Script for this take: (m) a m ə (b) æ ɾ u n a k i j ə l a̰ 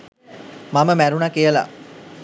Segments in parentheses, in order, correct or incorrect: correct, incorrect: m

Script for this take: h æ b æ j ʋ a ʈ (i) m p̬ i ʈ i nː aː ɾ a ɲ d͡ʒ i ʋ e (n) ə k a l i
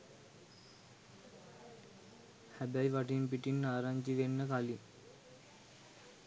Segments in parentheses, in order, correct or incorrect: correct, incorrect: nː

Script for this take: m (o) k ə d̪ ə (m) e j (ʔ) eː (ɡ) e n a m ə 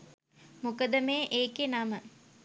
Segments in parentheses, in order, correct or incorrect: incorrect: u, correct, correct, incorrect: k

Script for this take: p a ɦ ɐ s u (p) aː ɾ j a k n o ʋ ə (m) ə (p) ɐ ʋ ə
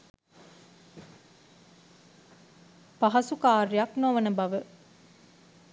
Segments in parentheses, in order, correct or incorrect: incorrect: k, incorrect: n, incorrect: b

